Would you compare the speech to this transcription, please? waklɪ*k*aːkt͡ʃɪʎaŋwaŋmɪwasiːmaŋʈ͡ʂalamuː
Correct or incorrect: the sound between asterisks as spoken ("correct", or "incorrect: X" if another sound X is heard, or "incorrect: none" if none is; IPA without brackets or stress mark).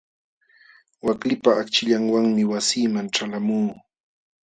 incorrect: p